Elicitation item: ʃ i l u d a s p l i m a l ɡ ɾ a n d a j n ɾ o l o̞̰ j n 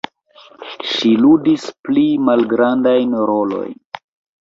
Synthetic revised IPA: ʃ i l u d i s p l i m a l ɡ ɾ a n d a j n ɾ o l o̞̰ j n